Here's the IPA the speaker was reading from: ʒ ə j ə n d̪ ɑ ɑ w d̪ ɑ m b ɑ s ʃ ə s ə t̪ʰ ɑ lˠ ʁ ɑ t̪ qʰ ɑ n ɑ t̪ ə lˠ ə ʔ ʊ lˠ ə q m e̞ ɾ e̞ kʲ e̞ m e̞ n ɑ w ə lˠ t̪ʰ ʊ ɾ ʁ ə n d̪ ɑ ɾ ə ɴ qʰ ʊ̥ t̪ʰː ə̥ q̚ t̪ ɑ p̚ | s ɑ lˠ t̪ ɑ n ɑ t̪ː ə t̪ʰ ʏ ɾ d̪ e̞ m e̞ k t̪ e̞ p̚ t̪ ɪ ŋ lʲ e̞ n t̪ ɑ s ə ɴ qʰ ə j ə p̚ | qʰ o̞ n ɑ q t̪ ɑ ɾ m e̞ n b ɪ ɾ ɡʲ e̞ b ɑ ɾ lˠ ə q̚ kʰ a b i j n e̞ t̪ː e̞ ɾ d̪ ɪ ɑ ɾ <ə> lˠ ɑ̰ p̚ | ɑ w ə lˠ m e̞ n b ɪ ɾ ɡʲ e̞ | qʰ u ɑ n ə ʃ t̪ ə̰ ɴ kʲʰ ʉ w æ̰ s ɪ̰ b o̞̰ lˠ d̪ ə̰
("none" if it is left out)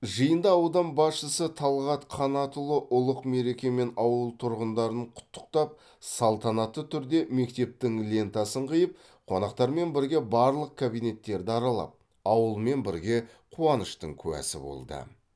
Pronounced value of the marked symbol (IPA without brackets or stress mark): ɑ